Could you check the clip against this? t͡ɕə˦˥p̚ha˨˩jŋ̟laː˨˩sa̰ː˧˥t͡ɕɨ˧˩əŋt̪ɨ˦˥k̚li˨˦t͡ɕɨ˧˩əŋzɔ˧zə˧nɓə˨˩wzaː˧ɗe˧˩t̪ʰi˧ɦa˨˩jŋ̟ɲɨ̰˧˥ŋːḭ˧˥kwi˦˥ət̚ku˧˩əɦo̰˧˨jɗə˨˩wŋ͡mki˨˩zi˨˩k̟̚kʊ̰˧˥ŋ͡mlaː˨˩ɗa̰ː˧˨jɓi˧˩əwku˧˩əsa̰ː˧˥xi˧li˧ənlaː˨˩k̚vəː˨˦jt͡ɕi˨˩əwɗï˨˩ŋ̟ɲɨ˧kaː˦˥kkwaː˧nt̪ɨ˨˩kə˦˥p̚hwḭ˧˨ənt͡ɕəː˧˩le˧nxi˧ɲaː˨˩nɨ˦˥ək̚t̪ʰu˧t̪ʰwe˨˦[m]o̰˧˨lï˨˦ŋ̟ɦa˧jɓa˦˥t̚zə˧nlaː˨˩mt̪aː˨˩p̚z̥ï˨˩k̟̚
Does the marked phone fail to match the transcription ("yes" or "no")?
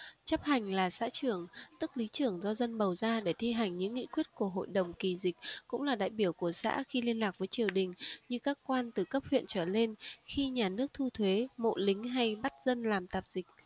no